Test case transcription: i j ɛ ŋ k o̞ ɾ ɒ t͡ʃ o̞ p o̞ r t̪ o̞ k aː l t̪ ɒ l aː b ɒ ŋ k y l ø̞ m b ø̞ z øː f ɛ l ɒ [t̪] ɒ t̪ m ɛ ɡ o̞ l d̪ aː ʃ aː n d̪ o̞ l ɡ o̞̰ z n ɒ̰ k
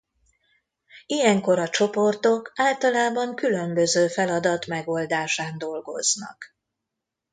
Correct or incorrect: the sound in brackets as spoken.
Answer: incorrect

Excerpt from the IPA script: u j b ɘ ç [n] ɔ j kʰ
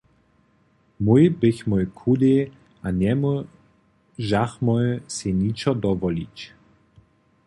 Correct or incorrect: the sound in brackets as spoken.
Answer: incorrect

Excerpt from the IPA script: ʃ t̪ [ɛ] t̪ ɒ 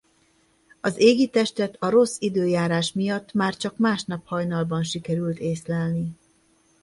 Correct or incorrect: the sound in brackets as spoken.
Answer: correct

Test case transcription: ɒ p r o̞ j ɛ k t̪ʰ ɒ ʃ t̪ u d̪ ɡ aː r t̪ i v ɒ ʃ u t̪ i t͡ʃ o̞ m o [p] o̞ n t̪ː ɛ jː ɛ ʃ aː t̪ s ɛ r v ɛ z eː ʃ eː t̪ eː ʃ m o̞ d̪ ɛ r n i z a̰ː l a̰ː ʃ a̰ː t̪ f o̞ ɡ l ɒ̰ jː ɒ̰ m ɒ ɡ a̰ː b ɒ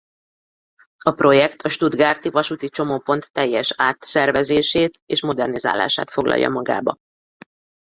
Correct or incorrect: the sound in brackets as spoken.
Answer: correct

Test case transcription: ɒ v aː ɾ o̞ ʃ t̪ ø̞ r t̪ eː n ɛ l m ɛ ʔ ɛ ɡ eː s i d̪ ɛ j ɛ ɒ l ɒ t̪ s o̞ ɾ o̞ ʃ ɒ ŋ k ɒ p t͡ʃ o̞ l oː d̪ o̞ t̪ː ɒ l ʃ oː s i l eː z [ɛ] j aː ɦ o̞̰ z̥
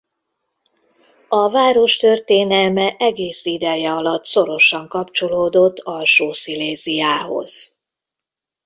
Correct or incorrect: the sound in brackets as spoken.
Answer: incorrect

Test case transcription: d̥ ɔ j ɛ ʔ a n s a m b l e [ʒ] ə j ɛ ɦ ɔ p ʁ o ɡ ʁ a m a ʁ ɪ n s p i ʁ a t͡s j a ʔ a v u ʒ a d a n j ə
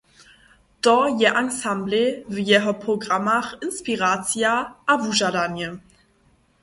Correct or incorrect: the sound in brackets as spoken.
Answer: incorrect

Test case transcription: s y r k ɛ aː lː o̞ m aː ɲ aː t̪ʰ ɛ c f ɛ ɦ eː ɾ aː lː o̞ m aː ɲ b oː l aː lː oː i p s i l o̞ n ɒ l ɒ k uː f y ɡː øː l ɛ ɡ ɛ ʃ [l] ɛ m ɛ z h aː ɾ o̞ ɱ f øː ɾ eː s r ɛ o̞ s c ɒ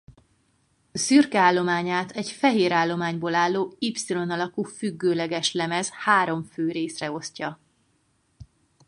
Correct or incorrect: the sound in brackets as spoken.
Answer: correct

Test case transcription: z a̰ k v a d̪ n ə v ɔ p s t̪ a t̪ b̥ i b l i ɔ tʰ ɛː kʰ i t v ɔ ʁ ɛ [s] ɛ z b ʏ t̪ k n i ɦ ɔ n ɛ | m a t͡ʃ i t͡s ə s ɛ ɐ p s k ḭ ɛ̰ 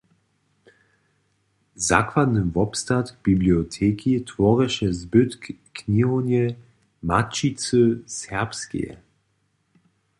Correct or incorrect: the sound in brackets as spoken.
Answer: incorrect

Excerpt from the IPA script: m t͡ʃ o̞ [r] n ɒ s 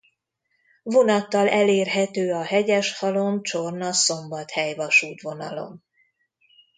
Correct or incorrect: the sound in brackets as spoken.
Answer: correct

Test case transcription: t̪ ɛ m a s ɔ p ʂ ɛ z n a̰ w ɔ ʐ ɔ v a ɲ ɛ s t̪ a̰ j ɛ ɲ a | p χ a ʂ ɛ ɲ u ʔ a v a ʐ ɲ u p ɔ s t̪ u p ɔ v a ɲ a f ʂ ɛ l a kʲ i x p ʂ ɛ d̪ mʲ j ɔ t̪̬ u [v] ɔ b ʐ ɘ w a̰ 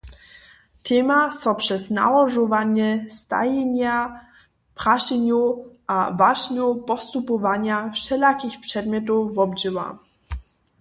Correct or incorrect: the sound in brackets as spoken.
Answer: correct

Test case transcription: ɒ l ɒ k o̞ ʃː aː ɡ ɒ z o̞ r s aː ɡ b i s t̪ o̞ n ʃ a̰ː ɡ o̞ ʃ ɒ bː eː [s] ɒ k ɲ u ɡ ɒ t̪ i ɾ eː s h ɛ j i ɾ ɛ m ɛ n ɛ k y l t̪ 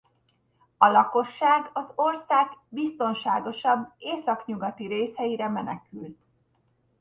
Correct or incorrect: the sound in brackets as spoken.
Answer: correct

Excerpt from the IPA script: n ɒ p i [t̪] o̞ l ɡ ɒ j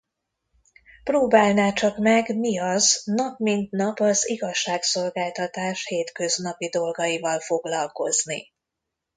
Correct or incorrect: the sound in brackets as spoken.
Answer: incorrect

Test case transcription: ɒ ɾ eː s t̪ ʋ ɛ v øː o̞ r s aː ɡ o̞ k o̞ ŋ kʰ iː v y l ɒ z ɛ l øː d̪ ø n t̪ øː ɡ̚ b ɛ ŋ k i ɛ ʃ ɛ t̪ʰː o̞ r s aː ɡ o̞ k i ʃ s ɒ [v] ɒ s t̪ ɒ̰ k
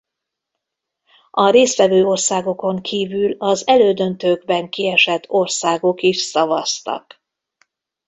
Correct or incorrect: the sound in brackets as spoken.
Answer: correct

